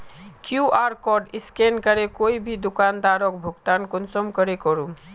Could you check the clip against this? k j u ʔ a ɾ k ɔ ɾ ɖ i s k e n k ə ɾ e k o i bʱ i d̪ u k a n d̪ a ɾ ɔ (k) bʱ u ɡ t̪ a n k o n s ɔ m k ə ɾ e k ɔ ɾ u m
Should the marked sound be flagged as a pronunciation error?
no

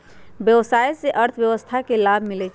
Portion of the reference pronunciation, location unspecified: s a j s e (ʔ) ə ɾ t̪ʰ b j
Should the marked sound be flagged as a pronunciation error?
no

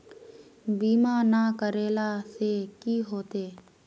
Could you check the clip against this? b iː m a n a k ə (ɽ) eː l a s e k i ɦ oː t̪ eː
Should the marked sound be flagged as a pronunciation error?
yes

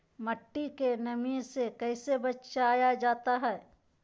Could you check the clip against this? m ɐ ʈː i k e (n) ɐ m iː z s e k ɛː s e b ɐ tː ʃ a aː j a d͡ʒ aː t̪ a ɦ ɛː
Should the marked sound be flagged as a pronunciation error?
no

